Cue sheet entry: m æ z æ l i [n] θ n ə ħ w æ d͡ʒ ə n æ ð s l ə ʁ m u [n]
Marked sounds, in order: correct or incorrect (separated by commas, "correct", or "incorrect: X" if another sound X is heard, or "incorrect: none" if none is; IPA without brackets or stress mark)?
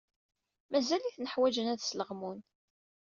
incorrect: none, correct